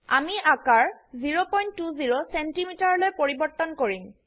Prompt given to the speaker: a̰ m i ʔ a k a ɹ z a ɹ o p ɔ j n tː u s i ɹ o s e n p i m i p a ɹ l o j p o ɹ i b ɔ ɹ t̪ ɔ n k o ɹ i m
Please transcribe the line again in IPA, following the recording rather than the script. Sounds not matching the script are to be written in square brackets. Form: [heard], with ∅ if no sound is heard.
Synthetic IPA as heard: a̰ m i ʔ a k a ɹ z [i] ɹ o p ɔ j n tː u [z] i ɹ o s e n [t] i m i [t] a ɹ l o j p o ɹ i b ɔ ɹ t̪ ɔ n k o ɹ i m